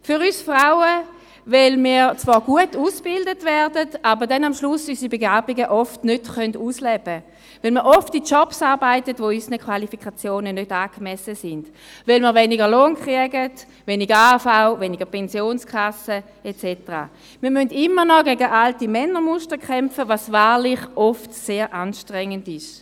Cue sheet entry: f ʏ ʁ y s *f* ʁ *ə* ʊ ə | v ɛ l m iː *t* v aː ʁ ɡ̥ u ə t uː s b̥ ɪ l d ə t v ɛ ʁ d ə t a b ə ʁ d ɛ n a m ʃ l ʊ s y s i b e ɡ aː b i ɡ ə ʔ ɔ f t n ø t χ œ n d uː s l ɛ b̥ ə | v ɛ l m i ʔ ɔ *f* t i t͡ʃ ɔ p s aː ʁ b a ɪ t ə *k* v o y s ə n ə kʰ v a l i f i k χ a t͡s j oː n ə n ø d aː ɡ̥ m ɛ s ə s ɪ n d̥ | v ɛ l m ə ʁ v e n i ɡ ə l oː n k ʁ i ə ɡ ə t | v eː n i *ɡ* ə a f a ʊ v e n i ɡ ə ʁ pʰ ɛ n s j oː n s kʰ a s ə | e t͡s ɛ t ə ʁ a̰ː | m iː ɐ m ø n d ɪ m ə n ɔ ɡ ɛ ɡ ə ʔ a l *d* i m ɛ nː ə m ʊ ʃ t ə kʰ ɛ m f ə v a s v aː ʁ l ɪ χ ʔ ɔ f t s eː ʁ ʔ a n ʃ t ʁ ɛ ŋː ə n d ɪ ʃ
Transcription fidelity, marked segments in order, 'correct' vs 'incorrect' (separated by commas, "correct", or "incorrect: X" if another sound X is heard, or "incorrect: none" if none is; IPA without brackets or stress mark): correct, incorrect: a, incorrect: t͡s, correct, incorrect: t, correct, incorrect: t